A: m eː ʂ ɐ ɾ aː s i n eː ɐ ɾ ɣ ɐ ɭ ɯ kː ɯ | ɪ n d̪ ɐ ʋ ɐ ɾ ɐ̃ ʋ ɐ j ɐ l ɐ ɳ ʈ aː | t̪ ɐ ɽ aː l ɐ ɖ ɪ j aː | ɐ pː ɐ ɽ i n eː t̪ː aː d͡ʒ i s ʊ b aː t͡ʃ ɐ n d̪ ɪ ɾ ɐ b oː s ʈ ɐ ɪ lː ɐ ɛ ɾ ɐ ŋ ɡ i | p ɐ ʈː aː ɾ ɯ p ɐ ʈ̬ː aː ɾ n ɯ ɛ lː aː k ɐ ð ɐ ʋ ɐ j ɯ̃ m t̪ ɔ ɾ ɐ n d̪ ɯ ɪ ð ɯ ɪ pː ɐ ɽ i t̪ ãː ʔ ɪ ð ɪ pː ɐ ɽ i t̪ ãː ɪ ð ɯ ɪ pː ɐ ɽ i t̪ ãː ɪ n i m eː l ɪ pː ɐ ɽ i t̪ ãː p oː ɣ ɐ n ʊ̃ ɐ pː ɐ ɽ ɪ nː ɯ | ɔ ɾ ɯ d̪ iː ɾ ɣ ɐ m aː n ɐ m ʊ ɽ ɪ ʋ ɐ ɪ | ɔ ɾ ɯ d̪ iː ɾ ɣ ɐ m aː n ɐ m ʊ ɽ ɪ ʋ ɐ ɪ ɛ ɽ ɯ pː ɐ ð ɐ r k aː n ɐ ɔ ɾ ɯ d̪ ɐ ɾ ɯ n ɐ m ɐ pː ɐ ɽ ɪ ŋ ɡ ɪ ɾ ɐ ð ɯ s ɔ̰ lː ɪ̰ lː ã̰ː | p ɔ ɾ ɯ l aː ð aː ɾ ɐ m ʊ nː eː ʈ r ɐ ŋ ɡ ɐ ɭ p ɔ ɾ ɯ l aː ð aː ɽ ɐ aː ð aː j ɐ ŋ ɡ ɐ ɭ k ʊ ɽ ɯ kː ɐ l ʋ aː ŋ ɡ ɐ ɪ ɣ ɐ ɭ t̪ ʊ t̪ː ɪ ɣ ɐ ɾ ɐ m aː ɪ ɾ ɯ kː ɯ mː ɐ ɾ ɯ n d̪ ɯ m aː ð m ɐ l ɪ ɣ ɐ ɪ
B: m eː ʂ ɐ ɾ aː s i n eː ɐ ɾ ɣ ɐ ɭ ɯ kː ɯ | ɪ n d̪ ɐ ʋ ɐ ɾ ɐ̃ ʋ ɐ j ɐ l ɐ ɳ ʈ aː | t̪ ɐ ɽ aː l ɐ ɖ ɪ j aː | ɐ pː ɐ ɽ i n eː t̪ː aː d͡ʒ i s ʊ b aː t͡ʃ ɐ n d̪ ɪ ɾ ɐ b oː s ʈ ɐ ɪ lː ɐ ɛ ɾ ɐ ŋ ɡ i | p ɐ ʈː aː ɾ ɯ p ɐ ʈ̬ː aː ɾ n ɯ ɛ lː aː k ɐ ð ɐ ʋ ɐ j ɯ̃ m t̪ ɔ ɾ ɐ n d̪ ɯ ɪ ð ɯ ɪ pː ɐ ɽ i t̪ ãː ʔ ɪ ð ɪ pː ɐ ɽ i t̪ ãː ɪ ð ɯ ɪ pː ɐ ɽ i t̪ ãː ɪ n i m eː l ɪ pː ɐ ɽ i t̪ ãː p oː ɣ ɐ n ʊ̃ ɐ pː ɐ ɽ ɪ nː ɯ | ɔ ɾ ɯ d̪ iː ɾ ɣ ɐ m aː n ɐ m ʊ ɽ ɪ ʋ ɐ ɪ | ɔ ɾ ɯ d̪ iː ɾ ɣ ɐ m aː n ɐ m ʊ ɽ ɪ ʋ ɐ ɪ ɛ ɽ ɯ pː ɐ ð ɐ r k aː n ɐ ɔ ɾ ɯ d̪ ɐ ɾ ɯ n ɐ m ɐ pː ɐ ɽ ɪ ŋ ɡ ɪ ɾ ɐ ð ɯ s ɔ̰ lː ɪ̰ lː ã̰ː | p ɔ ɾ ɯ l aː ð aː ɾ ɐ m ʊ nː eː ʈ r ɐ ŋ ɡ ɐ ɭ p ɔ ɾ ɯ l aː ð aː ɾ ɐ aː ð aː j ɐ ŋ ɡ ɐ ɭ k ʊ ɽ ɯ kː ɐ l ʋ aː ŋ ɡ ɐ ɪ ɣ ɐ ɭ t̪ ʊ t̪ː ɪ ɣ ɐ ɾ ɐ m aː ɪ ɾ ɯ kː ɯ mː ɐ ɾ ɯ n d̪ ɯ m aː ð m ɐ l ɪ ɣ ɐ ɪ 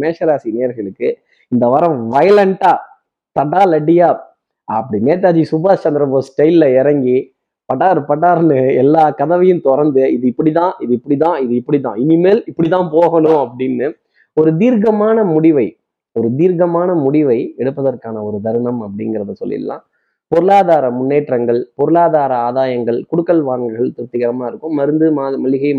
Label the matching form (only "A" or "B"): B